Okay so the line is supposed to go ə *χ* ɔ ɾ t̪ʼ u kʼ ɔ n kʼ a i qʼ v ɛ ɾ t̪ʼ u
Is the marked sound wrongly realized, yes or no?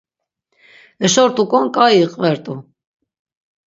yes